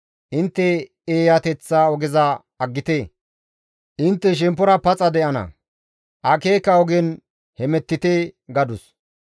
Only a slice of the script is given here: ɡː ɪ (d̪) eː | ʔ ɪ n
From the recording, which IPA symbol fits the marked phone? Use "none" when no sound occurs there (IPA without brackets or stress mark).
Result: t̪